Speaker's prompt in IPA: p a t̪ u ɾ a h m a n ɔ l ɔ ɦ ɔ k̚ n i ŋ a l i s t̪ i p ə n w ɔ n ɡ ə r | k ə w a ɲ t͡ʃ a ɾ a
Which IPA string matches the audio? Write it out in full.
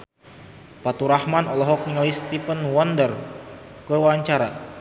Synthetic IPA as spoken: p a t̪ u ɾ a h m a n ɔ l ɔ ɦ ɔ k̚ n i ŋ a l i s t̪ i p ə n w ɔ n d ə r | k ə w a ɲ t͡ʃ a ɾ a